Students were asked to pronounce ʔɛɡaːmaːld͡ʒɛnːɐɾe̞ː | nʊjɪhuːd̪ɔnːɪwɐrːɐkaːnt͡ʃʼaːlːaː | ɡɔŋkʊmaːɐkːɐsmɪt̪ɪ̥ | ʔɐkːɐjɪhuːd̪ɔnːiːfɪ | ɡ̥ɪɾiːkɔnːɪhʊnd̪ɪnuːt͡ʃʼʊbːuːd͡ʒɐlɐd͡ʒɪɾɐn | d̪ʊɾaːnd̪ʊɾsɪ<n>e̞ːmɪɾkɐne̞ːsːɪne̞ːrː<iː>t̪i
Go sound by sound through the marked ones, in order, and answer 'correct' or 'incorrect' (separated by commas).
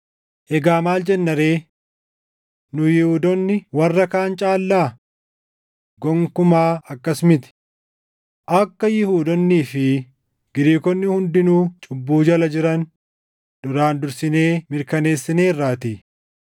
correct, incorrect